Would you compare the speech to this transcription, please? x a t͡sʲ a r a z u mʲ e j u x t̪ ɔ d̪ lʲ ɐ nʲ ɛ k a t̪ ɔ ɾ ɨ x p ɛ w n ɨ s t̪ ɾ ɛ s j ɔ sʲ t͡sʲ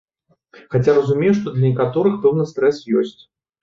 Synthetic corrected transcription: x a t͡sʲ a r ɐ z u mʲ e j u ʂ t̪ ɔ d̪ lʲ ɐ nʲ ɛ k a t̪ ɔ ɾ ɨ x p ɛ w n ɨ s t̪ ɾ ɛ s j ɔ sʲ t͡sʲ